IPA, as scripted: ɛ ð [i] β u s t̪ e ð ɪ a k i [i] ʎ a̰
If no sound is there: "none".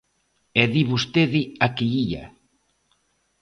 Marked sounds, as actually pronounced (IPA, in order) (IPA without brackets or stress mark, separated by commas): i, i